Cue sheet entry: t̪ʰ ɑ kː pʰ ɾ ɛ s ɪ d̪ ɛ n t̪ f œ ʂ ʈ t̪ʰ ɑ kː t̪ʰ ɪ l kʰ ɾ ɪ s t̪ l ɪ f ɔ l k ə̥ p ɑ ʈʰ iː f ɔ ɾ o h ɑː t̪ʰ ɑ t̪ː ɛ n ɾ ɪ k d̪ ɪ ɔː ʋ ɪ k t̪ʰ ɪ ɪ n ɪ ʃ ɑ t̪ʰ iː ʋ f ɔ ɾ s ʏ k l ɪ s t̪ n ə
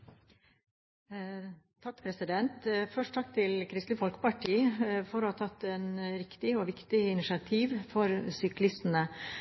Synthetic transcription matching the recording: t̪ʰ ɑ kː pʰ ɾ ɛ s ɪ d̪ ɛ n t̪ f œ ʂ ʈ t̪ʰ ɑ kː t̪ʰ ɪ l kʰ ɾ ɪ s t̪ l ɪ f ɔ l k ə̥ p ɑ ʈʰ iː f ɔ ɾ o h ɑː t̪ʰ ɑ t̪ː ɛ n ɾ ɪ k t̪ ɪ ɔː ʋ ɪ k t̪ ɪ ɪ n ɪ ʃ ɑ t̪ʰ iː ʋ f ɔ ɾ s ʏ k l ɪ s t̪ n ə